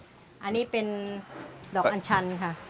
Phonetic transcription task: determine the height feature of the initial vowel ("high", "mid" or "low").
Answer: low